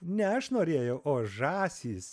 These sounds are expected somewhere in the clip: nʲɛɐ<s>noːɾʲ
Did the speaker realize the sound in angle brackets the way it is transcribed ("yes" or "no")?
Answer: no